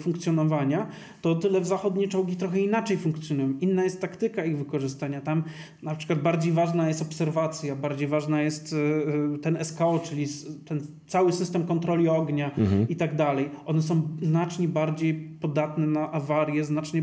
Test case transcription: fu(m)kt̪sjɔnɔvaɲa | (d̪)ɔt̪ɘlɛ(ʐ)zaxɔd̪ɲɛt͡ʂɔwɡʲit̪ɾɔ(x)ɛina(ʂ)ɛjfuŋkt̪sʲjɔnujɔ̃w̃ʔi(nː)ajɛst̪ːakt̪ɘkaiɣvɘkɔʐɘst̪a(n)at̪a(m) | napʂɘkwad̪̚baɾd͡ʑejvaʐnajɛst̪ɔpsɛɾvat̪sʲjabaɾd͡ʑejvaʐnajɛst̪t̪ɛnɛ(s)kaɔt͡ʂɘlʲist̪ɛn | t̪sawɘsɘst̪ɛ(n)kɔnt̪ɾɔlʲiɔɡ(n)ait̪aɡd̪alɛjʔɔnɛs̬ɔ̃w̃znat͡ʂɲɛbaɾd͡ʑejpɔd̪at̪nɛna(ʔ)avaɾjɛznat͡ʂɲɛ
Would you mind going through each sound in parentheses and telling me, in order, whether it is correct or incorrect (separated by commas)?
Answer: incorrect, incorrect, incorrect, correct, incorrect, correct, incorrect, correct, correct, incorrect, incorrect, correct